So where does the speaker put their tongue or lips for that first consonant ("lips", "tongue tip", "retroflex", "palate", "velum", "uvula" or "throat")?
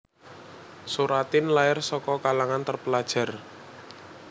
tongue tip